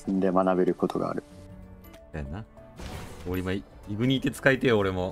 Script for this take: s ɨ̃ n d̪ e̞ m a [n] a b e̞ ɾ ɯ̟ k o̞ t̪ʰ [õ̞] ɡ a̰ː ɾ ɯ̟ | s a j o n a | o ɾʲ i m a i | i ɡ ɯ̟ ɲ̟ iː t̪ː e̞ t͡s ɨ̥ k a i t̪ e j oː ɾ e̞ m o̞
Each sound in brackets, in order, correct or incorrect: correct, incorrect: o̞

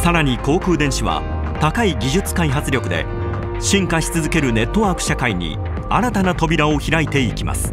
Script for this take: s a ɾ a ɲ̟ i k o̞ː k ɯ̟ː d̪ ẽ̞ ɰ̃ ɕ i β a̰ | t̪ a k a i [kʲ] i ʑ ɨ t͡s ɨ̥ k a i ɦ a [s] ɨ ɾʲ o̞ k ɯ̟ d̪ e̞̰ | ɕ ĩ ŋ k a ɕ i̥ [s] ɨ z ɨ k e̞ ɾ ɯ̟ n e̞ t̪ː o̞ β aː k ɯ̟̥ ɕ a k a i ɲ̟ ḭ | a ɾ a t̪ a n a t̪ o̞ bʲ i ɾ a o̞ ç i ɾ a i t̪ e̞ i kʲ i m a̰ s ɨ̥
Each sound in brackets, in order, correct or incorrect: incorrect: ɡʲ, incorrect: t͡s, incorrect: t͡s

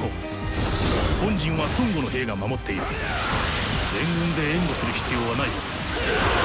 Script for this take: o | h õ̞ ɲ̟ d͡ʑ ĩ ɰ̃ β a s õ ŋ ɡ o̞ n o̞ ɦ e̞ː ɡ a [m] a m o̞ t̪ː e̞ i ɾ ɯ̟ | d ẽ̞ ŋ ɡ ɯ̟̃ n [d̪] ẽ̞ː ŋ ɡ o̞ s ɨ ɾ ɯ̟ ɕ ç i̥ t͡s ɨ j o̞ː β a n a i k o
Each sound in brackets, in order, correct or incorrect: correct, correct

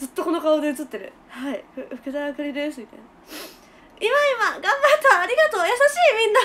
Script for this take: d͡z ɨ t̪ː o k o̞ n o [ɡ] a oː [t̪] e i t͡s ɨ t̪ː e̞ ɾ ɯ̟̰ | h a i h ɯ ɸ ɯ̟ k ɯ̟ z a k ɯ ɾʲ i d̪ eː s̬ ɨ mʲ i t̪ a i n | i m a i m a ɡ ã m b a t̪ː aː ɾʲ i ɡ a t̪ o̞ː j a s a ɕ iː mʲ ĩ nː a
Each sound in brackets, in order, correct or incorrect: incorrect: k, incorrect: d̪

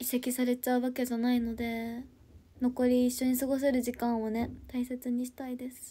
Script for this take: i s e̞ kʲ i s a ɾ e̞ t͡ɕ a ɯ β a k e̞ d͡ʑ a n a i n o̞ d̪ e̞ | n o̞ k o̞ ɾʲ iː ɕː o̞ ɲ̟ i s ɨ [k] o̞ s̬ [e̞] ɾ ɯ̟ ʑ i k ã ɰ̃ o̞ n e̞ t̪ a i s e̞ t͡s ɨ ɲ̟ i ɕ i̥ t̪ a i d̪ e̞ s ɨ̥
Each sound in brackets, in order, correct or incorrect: incorrect: ɡ, correct

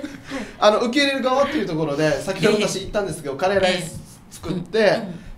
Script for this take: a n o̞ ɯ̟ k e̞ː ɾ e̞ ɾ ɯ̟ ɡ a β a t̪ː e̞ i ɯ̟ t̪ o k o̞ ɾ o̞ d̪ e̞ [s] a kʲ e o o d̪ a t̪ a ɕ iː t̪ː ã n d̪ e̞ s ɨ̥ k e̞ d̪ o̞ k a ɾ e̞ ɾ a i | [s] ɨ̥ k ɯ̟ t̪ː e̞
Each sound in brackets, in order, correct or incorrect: correct, incorrect: t͡s

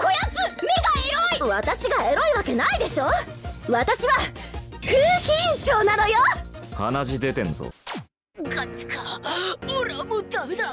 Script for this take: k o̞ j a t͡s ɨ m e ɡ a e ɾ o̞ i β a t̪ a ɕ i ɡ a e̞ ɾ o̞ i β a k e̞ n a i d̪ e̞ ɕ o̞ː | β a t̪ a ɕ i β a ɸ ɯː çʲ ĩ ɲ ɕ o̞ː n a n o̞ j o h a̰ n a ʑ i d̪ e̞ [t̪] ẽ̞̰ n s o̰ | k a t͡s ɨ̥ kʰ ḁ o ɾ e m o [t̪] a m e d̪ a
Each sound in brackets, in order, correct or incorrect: correct, incorrect: d̪

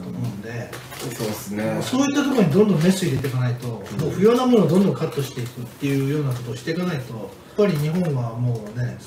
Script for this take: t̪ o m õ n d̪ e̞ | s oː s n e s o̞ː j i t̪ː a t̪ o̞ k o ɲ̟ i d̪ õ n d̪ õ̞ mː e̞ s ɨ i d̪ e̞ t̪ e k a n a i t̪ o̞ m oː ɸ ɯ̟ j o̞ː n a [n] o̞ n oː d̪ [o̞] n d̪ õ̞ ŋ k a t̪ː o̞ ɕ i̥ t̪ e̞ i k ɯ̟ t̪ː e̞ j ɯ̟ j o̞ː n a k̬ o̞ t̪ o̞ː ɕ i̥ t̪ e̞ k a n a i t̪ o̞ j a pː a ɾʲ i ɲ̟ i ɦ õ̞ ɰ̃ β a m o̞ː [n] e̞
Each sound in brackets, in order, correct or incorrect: incorrect: m, incorrect: õ̞, correct

